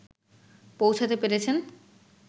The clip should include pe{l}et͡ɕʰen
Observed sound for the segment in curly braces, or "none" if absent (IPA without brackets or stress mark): ɾ